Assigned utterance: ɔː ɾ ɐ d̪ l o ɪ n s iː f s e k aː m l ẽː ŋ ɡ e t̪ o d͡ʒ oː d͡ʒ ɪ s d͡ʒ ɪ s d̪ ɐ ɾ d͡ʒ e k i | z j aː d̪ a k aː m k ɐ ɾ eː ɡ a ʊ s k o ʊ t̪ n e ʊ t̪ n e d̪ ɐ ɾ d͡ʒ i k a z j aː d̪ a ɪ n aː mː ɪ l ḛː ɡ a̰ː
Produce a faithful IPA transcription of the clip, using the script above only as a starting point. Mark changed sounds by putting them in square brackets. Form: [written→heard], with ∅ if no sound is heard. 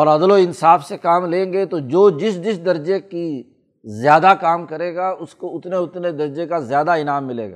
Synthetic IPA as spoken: ɔː ɾ ɐ d̪ l o ɪ n s [iː→aː] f s e k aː m l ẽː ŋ ɡ e t̪ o d͡ʒ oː d͡ʒ ɪ s d͡ʒ ɪ s d̪ ɐ ɾ d͡ʒ e k i | z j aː d̪ a k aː m k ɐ ɾ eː ɡ a ʊ s k o ʊ t̪ n e ʊ t̪ n e d̪ ɐ ɾ d͡ʒ [i→e] k a z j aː d̪ a ɪ n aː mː ɪ l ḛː ɡ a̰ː